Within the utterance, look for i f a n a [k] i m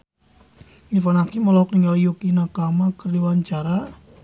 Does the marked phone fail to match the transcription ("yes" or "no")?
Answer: no